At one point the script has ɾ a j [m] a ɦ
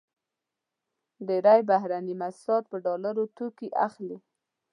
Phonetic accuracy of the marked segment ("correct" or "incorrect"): incorrect